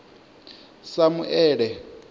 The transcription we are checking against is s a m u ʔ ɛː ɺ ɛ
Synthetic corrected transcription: s a m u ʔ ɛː ɺ ɛ